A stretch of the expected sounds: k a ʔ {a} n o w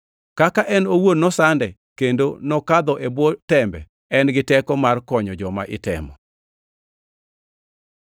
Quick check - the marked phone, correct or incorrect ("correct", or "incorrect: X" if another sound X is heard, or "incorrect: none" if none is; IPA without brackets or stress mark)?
incorrect: ɛ